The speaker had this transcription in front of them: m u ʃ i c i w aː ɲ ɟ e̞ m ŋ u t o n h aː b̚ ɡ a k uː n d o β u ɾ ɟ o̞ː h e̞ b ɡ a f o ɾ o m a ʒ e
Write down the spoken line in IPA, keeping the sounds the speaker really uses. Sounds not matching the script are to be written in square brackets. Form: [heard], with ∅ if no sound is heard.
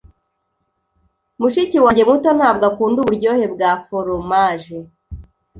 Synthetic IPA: m u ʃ i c i w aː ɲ ɟ e̞ m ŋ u t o n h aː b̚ ɡ a k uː n d [u] β u ɾ ɟ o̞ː h e̞ b ɡ a f o ɾ o m a ʒ e